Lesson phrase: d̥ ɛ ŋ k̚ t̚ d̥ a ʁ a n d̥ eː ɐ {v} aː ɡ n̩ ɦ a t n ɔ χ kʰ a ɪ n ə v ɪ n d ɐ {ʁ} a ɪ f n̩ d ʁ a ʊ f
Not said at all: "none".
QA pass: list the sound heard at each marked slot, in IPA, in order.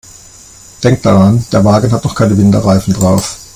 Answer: v, ʁ

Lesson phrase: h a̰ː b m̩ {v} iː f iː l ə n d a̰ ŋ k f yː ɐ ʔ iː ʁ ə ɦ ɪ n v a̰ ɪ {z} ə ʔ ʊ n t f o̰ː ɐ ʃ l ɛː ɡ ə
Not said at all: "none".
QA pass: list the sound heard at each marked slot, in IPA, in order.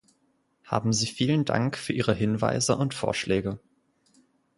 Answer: z, z

